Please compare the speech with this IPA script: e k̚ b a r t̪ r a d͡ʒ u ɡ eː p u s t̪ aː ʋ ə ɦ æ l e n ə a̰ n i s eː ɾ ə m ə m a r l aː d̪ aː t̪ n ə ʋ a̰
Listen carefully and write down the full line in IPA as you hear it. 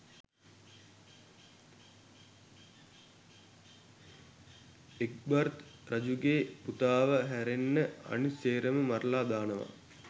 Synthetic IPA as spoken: e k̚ b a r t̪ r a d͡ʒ u ɡ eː p u t̪ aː ʋ ə ɦ æ ɾ e nː ə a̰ n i s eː ɾ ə m ə m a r l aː d̪ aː n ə ʋ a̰